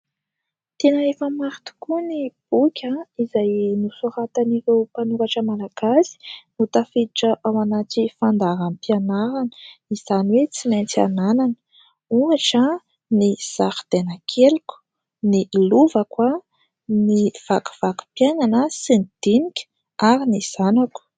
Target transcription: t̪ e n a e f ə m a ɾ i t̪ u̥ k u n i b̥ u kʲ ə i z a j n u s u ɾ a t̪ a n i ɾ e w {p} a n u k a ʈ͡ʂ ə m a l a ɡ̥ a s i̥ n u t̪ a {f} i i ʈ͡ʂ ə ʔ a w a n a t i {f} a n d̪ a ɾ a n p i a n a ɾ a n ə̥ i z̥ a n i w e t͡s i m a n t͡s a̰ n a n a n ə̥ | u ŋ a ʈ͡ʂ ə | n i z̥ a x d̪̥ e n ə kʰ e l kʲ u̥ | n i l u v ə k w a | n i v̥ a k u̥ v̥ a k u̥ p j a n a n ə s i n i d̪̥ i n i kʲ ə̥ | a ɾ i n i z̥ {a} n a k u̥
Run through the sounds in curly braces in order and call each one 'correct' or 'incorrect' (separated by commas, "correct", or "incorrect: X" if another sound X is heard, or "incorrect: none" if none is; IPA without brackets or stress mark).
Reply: correct, correct, correct, correct